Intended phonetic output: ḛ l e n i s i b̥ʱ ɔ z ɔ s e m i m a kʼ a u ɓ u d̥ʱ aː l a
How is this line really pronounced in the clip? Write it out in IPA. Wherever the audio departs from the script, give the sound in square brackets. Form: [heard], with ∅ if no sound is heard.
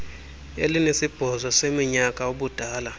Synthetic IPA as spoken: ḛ l [i] n [e] s i b̥ʱ ɔ z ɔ s e m i [ɲ] a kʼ a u ɓ u d̥ʱ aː l a